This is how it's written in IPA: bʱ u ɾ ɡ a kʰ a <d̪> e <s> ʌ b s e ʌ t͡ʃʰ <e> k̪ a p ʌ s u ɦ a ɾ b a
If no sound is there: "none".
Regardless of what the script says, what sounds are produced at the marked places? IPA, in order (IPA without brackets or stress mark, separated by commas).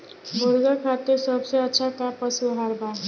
t̪, s, a